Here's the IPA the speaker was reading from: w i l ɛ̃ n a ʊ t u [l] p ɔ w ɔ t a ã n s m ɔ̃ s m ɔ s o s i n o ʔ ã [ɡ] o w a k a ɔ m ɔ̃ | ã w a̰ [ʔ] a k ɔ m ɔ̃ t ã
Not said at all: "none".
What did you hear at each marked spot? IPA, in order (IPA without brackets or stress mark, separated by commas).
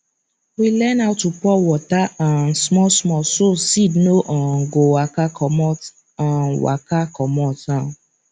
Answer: none, ɡ, k